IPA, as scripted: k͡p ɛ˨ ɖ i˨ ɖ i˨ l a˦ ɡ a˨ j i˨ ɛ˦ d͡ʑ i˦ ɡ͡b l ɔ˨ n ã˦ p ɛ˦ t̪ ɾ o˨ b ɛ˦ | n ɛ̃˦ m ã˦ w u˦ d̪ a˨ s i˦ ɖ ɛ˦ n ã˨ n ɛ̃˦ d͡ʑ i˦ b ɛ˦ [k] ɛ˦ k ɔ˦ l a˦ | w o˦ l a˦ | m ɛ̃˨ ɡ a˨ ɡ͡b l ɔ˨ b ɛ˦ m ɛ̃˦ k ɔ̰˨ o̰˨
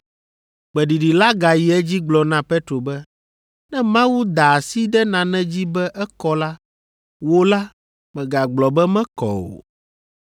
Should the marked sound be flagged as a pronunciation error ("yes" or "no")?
yes